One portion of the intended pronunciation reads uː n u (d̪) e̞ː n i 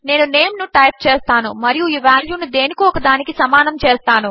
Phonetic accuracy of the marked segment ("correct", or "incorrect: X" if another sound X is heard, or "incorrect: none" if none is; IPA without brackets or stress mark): correct